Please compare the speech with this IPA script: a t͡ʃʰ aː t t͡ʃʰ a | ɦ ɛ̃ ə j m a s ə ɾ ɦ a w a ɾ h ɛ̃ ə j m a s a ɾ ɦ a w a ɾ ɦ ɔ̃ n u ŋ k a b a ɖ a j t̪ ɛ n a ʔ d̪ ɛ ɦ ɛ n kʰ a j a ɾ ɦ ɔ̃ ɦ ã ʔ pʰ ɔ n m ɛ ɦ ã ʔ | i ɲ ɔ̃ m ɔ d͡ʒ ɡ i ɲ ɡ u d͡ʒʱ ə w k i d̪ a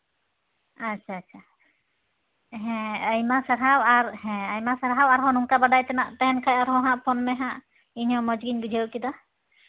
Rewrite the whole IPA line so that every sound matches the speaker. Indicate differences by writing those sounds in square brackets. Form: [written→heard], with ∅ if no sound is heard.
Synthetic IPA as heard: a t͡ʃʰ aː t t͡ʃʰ a | ɦ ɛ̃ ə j m a s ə ɾ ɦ a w a ɾ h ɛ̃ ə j m a s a ɾ ɦ a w a ɾ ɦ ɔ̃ n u ŋ k a b a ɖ a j t̪ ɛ n a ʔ [d̪→t̪] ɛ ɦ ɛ n kʰ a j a ɾ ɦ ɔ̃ ɦ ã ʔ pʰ ɔ n m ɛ ɦ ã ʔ | i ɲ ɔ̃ m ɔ d͡ʒ ɡ i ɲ ɡ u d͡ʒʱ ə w k i d̪ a